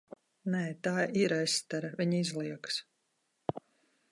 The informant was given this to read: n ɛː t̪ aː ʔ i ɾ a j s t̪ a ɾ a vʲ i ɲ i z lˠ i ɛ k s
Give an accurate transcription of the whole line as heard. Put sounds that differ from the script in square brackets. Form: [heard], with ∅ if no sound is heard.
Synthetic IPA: n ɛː t̪ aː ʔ i ɾ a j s t̪ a ɾ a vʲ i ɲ i z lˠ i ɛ k s